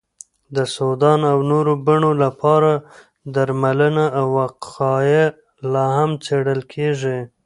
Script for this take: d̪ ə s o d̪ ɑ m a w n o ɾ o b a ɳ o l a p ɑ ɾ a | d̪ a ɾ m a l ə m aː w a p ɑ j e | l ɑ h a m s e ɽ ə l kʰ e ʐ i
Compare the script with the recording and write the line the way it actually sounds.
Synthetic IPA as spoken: d̪ ə s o d̪ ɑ n a w n o ɾ o b a ɳ o l a p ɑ ɾ a | d̪ a ɾ m a l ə n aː w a q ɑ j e | l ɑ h a m t͡s e ɽ ə l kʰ e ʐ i